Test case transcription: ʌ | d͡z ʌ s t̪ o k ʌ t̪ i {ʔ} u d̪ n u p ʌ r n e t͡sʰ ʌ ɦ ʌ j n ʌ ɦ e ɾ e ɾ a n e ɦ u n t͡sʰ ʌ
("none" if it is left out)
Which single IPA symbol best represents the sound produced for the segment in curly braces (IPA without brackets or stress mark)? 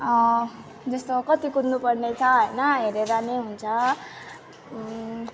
k